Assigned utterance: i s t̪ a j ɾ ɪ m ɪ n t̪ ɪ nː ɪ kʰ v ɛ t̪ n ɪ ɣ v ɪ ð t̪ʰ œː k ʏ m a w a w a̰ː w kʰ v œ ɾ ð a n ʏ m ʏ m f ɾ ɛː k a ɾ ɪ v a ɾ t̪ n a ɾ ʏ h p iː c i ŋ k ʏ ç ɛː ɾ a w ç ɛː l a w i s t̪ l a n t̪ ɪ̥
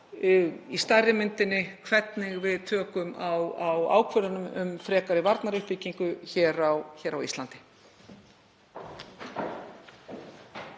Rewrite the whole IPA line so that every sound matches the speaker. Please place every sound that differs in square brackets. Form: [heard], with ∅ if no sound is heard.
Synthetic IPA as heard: i s t̪ a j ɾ ɪ m ɪ n t̪ ɪ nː ɪ kʰ v ɛ t̪ n ɪ ɣ v ɪ ð t̪ʰ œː k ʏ m a w a w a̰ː w kʰ v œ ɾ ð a n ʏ m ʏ m f ɾ ɛː k a ɾ ɪ v a ɾ t̪ n a ɾ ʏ h p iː c i ŋ k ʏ ç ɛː ɾ a w ç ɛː [ɾ] a w i s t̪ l a n t̪ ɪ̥